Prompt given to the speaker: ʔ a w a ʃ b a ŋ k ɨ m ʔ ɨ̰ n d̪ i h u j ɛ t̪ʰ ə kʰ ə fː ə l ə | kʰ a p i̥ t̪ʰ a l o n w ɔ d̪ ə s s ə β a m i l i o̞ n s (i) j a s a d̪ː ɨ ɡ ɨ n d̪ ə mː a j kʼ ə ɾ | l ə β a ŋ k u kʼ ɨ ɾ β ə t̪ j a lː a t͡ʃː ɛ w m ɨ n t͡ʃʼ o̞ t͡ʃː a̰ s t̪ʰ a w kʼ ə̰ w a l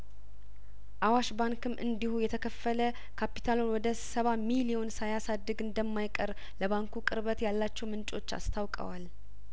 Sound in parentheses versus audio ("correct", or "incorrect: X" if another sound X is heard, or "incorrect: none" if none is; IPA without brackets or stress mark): incorrect: a